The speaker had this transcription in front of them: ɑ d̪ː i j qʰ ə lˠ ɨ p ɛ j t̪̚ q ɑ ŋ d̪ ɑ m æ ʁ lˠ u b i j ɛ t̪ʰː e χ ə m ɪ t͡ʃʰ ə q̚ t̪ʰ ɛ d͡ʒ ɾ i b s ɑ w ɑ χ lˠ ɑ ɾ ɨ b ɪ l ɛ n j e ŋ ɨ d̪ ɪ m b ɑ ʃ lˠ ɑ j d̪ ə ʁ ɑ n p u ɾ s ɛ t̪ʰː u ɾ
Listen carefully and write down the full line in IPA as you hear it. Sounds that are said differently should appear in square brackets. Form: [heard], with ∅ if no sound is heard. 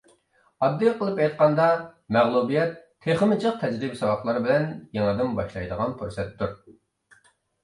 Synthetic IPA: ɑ d̪ː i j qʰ ə lˠ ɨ p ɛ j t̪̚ q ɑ [n] d̪ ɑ m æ ʁ lˠ u b i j ɛ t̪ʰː e χ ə m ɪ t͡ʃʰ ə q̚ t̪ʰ ɛ d͡ʒ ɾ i b s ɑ w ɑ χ lˠ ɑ ɾ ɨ b ɪ l ɛ n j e ŋ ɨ d̪ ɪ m b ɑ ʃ lˠ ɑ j d̪ ə ʁ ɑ n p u ɾ s ɛ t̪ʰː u ɾ